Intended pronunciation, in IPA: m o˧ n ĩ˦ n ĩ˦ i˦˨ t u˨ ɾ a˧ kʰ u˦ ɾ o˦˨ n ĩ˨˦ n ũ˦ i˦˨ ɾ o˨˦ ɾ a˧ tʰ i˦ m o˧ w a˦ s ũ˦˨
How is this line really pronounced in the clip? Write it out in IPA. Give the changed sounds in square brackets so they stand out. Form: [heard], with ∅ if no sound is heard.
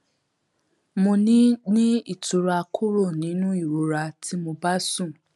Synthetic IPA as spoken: m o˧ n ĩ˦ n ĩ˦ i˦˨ t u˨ ɾ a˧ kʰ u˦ ɾ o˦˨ n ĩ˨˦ n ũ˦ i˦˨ ɾ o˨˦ ɾ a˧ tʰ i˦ m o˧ [b] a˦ s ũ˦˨